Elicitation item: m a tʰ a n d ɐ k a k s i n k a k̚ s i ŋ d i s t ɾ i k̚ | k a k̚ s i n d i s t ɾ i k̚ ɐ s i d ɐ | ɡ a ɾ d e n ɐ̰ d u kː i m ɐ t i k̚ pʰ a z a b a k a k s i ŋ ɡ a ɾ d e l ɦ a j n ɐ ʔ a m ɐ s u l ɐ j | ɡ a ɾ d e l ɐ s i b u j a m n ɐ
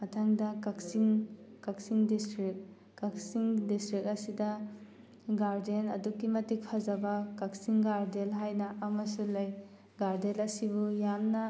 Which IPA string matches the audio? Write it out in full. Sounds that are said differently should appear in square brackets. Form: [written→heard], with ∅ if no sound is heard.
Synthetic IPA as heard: m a tʰ a [n→ŋ] d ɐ k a k s i [n→ŋ] k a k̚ s i ŋ d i s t ɾ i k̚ | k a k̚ s i [n→ŋ] d i s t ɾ i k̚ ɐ s i d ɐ | ɡ a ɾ d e n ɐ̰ d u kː i m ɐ t i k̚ pʰ a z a b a k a k s i ŋ ɡ a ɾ d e l ɦ a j n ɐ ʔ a m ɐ s u l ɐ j | ɡ a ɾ d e l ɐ s i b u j a m n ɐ